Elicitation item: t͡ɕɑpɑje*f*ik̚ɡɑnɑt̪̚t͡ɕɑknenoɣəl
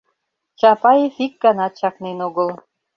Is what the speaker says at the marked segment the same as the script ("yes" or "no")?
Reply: yes